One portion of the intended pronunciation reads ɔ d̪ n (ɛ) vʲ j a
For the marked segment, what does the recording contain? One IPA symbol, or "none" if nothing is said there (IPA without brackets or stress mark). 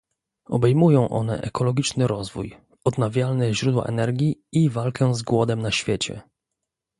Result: a